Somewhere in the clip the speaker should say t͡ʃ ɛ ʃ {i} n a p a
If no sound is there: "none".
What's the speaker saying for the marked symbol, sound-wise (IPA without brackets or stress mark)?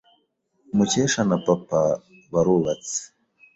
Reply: a